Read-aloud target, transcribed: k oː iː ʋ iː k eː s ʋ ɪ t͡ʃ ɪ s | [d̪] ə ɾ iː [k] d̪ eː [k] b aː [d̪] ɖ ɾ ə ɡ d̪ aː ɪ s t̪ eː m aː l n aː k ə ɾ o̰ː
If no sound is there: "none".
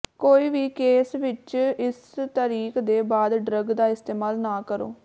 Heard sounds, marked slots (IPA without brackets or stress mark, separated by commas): t̪, k, none, d̪